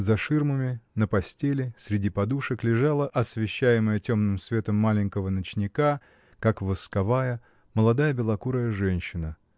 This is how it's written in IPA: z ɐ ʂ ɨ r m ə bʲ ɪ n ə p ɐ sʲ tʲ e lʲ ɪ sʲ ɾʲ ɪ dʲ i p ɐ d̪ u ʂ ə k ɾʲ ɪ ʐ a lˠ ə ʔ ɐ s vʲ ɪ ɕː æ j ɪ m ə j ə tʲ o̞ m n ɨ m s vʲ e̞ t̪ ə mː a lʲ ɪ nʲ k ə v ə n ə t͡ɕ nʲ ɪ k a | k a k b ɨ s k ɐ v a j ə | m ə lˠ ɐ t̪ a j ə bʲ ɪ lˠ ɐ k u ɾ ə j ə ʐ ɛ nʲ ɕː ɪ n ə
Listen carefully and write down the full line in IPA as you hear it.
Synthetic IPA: z ɐ ʂ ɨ r m ə mʲ ɪ n ə p ɐ sʲ tʲ e lʲ ɪ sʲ ɾʲ ɪ dʲ i p ɐ d̪ u ʂ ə k lʲ ɪ ʐ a lˠ ə ʔ ɐ s vʲ ɪ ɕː æ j ɪ m ə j ə tʲ o̞ m n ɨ m s vʲ e̞ t̪ ə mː a lʲ ɪ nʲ k ə v ə n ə t͡ɕ nʲ ɪ k a | k a k v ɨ s k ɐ v a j ə | m ə lˠ ɐ d̪ a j ə bʲ ɪ lˠ ɐ k u ɾ ə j ə ʐ ɛ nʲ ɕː ɪ n ə